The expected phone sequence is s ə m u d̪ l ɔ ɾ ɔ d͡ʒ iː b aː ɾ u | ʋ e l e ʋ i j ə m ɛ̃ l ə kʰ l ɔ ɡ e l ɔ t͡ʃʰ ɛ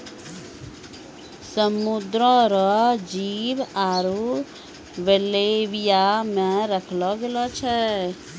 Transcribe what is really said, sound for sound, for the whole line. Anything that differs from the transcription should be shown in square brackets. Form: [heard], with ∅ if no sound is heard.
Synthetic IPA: s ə m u d̪ [ɾ] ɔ ɾ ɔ d͡ʒ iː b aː ɾ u | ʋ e l e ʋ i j [a] m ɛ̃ [ɾ] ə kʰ l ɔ ɡ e l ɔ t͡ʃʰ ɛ